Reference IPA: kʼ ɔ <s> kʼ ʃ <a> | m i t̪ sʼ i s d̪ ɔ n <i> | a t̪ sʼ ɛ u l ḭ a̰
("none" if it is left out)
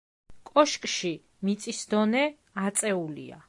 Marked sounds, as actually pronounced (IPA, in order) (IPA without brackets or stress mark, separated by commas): ʃ, i, ɛ